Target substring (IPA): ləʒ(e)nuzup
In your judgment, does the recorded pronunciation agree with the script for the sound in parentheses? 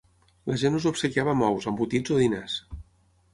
yes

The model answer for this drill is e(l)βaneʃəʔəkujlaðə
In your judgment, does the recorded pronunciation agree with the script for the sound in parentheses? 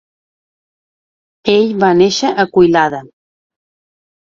no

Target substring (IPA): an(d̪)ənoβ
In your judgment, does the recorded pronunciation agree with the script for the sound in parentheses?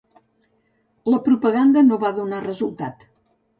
yes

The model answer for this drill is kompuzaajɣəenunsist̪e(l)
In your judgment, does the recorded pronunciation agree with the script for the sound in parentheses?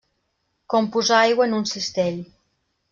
no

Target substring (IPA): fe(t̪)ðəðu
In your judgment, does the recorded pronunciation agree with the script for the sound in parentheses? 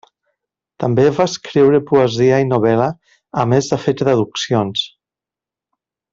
yes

